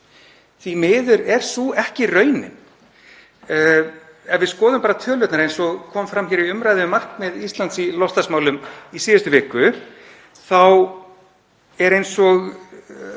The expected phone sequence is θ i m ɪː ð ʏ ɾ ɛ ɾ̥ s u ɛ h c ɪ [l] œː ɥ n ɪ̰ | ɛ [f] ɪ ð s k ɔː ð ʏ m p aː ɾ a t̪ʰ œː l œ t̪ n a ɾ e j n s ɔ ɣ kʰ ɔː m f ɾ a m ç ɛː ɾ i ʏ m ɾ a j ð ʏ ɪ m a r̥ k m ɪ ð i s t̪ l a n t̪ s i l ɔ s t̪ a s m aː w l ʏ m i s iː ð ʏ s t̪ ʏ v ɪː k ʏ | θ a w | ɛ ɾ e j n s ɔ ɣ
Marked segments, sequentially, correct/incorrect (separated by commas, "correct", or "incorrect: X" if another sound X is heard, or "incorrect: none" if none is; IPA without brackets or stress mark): incorrect: r, incorrect: v